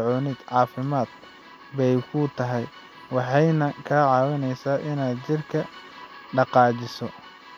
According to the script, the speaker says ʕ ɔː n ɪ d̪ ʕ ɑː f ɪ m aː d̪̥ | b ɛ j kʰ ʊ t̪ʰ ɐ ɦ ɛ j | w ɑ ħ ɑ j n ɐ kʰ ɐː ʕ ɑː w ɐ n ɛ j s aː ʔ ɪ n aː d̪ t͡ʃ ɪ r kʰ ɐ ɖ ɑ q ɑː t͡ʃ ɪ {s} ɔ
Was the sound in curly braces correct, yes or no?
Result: yes